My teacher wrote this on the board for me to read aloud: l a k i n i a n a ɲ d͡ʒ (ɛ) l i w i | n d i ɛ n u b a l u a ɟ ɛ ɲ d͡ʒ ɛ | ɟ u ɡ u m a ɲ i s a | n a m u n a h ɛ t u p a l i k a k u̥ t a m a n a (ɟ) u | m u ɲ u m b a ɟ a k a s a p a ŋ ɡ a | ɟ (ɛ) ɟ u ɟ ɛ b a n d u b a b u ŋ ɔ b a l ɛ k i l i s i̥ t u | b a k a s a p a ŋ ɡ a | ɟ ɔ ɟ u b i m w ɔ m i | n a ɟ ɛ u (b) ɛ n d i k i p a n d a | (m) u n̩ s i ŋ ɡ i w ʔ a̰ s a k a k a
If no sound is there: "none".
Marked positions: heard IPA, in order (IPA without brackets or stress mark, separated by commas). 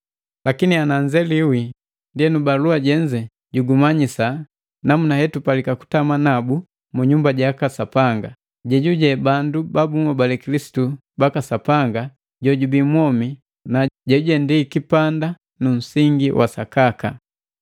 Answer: ɛ, b, ɛ, ɟ, n